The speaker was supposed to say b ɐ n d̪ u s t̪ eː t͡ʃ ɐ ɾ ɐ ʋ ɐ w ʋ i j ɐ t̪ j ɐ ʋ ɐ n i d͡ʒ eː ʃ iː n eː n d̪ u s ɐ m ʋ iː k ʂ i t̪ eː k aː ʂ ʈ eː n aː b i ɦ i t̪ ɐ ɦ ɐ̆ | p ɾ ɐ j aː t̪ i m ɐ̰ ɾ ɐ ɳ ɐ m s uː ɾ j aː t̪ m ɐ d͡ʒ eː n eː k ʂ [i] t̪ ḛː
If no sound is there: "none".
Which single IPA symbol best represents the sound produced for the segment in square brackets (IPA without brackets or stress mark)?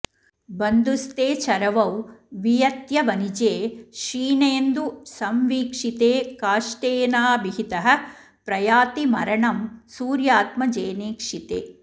i